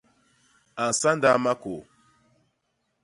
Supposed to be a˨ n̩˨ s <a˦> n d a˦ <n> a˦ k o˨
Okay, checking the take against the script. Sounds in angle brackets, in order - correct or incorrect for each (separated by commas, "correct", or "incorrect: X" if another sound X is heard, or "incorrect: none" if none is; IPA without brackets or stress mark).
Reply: correct, incorrect: m